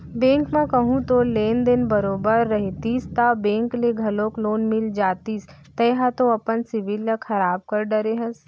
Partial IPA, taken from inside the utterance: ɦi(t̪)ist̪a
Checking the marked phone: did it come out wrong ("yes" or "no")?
no